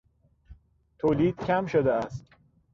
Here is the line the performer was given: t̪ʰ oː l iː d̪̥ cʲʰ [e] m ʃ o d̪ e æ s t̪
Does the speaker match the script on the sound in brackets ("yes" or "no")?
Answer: no